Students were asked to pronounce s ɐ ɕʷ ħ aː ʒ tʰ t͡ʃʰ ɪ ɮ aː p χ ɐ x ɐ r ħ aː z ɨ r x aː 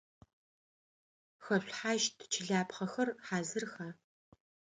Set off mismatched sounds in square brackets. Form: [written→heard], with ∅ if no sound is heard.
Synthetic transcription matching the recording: [s→x] ɐ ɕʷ ħ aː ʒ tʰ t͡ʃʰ ɪ ɮ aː p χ ɐ x ɐ r ħ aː z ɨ r x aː